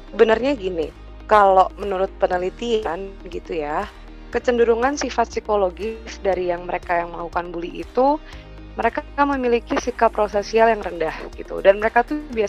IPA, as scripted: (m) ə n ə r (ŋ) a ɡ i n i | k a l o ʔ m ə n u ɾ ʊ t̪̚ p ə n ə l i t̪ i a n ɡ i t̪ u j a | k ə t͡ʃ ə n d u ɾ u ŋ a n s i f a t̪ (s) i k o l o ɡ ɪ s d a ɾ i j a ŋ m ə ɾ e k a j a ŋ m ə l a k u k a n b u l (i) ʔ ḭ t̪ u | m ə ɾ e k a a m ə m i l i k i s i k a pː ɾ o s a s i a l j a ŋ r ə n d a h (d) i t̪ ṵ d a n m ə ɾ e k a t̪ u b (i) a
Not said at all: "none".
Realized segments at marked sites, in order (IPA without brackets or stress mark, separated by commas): b, ɲ, s, i, ɡ, i